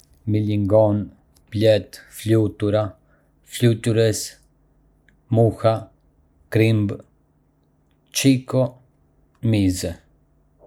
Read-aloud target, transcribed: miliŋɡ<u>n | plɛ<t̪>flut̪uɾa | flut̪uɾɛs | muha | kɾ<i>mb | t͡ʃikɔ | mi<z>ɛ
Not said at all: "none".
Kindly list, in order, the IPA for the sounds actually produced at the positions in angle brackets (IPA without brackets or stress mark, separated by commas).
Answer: ɔ, t̪, i, z